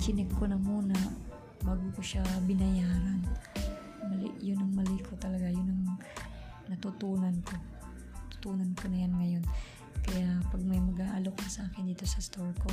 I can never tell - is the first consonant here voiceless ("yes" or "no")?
yes